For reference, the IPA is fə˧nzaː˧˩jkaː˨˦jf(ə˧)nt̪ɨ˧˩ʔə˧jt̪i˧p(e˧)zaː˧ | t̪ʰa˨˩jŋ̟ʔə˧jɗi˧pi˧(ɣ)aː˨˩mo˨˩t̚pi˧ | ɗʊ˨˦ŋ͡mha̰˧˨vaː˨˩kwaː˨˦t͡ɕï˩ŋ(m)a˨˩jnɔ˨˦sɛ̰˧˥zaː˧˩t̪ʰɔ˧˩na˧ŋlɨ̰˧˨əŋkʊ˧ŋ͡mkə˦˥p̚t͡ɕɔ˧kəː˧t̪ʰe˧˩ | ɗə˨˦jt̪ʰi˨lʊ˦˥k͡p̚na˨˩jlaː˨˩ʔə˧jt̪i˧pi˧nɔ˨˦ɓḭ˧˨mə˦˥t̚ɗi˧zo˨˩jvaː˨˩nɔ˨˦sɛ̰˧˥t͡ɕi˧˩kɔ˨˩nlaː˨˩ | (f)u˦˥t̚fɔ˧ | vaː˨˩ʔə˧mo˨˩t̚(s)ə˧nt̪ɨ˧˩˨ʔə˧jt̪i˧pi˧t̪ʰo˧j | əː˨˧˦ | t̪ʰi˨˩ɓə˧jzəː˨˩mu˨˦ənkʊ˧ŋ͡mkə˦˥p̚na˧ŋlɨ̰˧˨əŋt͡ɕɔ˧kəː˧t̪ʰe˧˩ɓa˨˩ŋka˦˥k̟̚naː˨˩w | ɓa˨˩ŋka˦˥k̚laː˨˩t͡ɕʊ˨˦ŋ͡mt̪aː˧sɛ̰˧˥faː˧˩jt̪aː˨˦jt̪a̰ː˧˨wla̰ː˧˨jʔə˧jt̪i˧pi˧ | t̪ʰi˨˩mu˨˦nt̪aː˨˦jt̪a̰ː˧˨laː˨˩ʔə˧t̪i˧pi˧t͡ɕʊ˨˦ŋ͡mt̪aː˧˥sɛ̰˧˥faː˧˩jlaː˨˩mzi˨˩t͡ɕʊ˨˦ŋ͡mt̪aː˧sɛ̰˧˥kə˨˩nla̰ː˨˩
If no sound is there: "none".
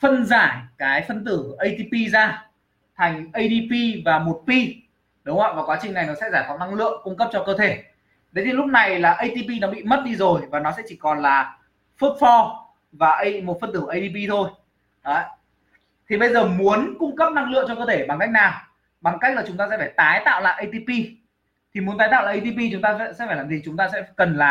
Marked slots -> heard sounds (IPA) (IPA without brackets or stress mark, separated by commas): ə˧, i˧, v, n, f, f